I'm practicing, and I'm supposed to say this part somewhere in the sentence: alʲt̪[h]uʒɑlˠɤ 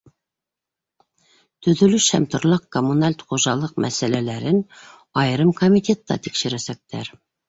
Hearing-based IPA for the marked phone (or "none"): χ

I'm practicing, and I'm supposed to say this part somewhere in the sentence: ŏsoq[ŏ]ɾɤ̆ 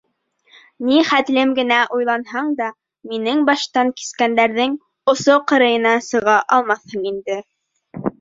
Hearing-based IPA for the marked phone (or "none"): ɤ̆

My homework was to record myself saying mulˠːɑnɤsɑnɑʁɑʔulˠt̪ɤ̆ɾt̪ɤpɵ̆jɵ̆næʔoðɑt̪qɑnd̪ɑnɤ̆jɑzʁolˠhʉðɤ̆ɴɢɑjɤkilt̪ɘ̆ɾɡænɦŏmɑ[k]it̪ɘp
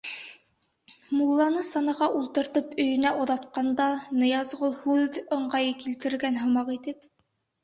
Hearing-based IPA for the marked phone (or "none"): q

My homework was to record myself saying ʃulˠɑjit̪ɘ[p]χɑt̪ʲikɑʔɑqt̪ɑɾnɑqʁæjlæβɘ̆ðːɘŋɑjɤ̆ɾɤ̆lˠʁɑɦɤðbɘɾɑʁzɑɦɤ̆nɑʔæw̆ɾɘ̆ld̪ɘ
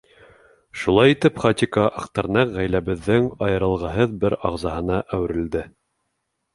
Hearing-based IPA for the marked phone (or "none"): p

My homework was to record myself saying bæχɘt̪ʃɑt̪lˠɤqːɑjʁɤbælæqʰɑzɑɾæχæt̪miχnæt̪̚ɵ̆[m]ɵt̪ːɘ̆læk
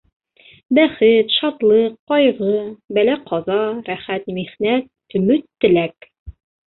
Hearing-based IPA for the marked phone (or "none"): m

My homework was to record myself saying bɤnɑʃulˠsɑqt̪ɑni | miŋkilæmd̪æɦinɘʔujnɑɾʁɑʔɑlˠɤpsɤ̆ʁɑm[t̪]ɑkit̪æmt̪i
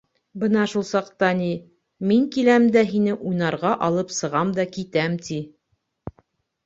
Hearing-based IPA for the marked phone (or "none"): d̪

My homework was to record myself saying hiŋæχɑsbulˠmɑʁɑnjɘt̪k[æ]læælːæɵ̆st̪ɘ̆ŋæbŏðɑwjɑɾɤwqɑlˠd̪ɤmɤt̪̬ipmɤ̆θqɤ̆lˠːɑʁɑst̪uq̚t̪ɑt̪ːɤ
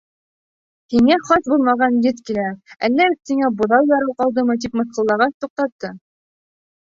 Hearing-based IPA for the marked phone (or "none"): i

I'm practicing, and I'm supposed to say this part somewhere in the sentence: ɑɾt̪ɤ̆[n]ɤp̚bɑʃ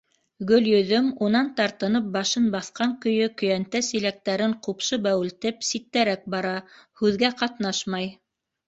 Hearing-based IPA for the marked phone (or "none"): n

